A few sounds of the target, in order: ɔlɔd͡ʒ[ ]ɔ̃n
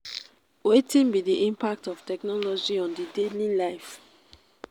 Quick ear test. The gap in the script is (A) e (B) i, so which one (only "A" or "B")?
B